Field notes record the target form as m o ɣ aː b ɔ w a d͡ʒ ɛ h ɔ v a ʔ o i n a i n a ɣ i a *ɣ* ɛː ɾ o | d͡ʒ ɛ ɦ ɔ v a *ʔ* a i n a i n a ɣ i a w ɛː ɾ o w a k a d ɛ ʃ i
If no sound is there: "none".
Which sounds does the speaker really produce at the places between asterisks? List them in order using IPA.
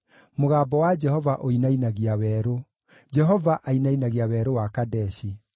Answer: w, ʔ

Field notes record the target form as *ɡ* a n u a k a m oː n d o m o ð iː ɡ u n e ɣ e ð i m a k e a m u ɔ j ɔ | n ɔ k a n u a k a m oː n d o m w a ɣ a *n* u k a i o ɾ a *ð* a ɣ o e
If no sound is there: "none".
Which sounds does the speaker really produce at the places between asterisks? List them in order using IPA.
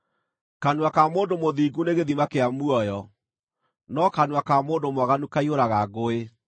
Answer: k, n, ɣ

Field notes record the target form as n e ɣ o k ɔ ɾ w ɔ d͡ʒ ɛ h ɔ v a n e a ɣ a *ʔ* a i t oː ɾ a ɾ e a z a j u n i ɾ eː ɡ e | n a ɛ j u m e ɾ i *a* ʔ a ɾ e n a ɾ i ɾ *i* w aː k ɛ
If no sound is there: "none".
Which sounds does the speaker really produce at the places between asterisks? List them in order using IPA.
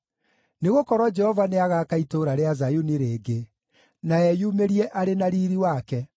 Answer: k, ɛ, i

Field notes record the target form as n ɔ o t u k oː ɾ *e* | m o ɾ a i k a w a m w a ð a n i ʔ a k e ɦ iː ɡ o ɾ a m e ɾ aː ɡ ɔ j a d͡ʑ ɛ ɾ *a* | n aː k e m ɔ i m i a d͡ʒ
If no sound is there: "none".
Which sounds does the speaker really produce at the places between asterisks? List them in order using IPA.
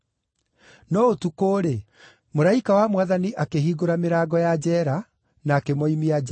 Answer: e, a

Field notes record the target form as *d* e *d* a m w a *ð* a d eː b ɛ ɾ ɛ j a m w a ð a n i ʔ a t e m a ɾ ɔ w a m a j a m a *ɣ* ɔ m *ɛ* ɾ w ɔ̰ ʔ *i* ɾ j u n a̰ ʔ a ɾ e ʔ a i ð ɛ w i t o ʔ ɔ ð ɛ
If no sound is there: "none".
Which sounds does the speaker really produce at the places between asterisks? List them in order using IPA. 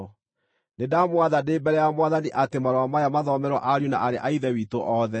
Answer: n, d, ð, ð, ɛ, a

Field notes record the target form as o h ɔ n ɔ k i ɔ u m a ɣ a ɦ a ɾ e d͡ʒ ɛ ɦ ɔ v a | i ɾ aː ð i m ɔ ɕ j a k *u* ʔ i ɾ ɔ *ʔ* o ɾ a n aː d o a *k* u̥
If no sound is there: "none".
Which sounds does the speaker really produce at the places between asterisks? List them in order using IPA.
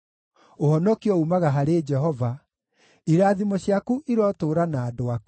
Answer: u, t, k

